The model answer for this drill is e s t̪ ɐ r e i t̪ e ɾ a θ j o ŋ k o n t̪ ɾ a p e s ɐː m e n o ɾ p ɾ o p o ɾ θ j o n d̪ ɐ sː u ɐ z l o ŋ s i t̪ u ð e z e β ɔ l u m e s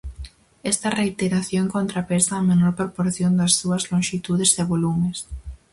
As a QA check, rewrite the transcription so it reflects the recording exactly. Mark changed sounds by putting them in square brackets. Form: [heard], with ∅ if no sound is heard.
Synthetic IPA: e s t̪ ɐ r e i t̪ e ɾ a θ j o ŋ k o n t̪ ɾ a p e s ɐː m e n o ɾ p ɾ o p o ɾ θ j o n d̪ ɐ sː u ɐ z l o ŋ [ʃ] i t̪ u ð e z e β [o] l u m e s